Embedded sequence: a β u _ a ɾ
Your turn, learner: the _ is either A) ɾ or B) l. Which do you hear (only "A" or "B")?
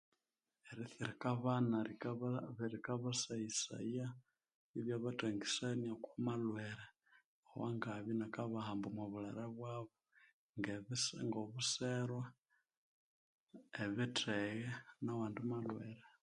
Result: B